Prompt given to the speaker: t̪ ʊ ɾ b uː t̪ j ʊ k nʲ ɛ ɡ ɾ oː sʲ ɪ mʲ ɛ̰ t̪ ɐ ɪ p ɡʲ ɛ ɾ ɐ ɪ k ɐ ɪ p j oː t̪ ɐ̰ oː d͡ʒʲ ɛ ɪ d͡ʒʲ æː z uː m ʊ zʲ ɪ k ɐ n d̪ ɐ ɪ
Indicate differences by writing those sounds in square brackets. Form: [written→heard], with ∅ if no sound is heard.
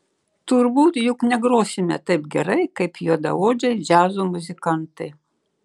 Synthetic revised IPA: t̪ ʊ ɾ b uː t̪ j ʊ k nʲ ɛ ɡ ɾ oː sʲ ɪ mʲ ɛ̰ t̪ ɐ ɪ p ɡʲ ɛ ɾ ɐ ɪ k ɐ ɪ p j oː [t̪→d̪] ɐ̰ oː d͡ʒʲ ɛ ɪ d͡ʒʲ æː z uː m ʊ zʲ ɪ k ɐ n [d̪→t̪] ɐ ɪ